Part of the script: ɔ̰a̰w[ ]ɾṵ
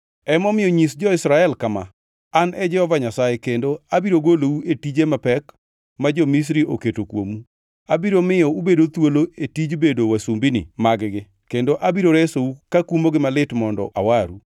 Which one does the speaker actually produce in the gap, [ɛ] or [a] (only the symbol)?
a